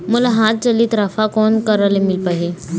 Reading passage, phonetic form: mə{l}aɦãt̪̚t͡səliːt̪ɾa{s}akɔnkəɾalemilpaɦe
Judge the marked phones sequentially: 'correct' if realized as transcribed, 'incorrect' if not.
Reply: correct, incorrect: f

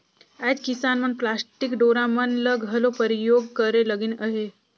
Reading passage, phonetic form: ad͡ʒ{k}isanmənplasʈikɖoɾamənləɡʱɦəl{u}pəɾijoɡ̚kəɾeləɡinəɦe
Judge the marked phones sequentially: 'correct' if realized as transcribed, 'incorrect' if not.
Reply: correct, incorrect: o

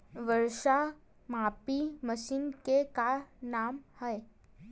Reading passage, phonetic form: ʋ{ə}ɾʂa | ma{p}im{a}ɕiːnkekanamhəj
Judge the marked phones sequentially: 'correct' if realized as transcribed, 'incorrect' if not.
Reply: correct, correct, incorrect: ə

